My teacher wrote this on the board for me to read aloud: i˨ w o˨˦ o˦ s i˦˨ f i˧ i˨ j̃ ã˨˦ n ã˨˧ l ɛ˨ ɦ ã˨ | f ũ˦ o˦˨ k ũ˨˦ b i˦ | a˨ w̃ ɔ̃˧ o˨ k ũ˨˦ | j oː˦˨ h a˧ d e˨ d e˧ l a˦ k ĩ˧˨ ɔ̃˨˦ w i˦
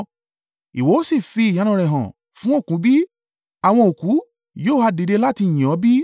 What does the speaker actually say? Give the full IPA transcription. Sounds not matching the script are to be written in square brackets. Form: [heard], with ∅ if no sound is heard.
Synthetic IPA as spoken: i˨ w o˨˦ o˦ s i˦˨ f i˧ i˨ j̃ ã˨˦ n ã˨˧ [ɾ] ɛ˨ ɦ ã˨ | f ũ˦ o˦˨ k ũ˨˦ b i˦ | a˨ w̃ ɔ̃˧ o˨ k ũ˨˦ | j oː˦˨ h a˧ d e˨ d e˧ l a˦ [t] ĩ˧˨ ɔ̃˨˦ [b] i˦